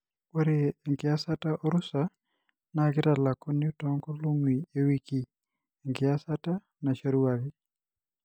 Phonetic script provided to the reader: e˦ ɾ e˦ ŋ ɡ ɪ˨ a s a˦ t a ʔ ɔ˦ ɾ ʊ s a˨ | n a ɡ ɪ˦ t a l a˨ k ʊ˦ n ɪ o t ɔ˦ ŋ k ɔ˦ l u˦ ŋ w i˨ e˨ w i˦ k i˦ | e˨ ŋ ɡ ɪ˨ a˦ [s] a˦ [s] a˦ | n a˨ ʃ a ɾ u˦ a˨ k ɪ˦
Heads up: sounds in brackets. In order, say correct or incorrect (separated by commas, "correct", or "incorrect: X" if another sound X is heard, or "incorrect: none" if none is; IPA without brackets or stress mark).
correct, incorrect: t